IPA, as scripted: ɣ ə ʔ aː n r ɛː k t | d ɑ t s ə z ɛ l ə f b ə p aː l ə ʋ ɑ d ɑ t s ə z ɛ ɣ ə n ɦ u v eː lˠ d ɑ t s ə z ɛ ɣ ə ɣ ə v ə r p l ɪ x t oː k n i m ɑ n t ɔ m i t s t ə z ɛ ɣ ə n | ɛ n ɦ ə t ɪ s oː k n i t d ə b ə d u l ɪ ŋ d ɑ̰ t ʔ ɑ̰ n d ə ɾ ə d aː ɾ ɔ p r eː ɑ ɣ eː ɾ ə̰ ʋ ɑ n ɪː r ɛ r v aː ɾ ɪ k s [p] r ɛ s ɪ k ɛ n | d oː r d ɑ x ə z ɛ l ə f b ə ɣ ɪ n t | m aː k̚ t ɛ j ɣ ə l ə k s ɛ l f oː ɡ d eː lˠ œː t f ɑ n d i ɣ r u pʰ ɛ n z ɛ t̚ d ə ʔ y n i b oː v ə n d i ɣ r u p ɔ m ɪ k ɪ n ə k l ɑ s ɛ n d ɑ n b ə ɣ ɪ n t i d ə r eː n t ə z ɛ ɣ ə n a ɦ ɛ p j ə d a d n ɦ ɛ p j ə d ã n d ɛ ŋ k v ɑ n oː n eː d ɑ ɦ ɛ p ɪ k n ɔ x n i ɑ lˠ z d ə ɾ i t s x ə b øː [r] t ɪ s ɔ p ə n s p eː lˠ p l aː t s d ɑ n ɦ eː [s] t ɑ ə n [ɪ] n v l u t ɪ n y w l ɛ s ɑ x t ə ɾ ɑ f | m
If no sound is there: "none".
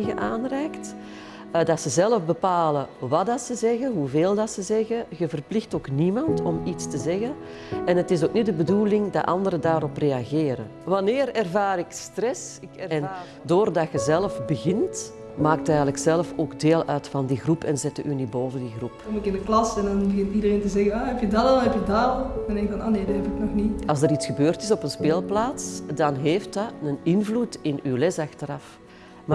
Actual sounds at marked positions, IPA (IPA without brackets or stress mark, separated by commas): t, r, f, ɪ